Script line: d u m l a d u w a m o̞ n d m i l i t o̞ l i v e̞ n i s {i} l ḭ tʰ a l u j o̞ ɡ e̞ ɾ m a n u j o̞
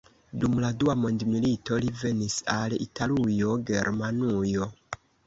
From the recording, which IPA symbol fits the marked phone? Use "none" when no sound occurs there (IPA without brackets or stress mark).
a